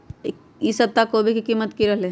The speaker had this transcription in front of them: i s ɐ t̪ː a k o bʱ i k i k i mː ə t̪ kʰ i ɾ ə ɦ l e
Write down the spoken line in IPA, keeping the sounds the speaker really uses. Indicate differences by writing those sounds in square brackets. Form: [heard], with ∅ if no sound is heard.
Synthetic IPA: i s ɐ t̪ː a k o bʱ i k i k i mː ə t̪ [k] i ɾ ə ɦ l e